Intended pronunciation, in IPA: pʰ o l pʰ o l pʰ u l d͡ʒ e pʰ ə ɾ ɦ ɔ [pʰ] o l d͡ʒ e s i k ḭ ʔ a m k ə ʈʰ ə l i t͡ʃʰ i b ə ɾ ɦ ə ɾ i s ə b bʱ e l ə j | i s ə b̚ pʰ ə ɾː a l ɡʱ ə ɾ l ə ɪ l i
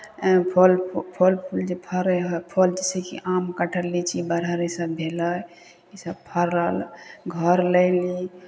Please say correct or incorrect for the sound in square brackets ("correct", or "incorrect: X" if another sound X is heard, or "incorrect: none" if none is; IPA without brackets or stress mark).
correct